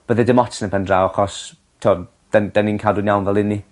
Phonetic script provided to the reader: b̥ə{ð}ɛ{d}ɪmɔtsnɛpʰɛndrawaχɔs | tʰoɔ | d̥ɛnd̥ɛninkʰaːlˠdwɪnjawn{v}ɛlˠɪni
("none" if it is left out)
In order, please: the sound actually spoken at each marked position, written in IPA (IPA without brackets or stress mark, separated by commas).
ð, d, v